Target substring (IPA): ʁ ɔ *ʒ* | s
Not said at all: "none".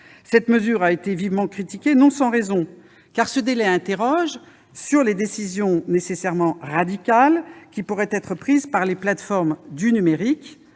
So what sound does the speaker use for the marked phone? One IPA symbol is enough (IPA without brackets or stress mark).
ʒ